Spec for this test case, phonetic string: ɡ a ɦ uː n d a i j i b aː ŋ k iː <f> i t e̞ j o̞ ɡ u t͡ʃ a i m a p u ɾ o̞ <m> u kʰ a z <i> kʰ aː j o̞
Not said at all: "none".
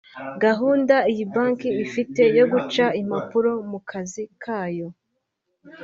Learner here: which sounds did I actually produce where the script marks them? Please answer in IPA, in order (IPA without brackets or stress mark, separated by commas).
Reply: f, m, i